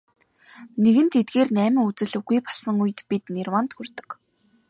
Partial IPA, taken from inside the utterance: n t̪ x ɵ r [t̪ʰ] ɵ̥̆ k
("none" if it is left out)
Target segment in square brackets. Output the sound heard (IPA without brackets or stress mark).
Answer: t̪